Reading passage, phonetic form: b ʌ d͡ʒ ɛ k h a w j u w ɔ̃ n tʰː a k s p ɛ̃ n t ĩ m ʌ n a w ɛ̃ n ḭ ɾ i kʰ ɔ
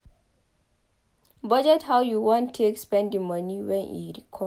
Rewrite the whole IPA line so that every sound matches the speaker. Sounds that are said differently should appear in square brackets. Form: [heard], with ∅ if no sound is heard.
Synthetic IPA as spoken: b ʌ d͡ʒ ɛ [t] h a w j u w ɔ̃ n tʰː [e] k s p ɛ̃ n [d] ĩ m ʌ n [i] w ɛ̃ n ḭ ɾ i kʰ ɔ